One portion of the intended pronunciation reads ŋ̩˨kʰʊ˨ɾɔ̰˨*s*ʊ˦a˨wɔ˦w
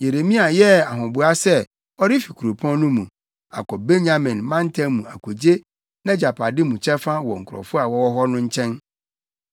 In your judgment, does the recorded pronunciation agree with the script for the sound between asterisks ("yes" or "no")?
no